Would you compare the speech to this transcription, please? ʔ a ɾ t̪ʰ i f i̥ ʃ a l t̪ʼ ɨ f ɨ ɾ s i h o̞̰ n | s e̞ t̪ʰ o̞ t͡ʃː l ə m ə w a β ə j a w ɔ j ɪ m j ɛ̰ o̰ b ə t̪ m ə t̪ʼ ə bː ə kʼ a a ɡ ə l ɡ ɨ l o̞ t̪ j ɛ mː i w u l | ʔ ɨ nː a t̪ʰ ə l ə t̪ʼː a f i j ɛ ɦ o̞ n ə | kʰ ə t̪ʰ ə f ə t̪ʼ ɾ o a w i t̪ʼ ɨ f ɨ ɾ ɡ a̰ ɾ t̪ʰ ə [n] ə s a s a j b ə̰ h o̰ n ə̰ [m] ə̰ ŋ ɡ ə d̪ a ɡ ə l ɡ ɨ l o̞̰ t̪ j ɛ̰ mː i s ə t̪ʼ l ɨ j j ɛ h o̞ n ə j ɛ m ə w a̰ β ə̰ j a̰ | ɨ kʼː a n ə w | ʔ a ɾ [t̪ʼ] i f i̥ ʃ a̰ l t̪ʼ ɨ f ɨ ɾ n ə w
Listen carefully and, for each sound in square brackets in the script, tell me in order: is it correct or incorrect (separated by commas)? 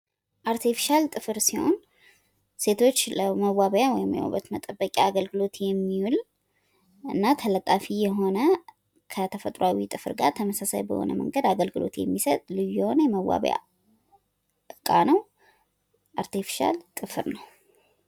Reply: incorrect, correct, incorrect